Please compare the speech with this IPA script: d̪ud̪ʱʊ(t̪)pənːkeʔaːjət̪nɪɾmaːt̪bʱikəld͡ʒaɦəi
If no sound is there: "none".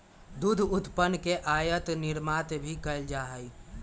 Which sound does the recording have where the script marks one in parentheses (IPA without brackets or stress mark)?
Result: t̪